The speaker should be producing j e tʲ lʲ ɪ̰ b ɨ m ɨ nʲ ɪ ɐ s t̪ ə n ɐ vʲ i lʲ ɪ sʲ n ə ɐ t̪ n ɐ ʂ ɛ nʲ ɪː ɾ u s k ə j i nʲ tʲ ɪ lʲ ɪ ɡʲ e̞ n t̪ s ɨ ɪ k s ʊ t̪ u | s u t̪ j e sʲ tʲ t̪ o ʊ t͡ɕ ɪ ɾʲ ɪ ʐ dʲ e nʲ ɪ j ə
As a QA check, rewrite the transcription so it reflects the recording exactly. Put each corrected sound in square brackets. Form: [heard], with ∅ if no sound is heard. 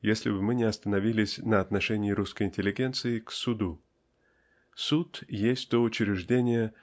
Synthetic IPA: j e [sʲ] lʲ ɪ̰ b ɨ m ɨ nʲ ɪ ɐ s t̪ ə n ɐ vʲ i lʲ ɪ sʲ n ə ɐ t̪ n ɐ ʂ ɛ nʲ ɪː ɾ u s k ə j [ɪ] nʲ tʲ ɪ lʲ ɪ ɡʲ e̞ n t̪ s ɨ ɪ k s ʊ [d̪] u | s u t̪ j e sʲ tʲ t̪ o ʊ t͡ɕ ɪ ɾʲ ɪ ʐ dʲ e nʲ ɪ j ə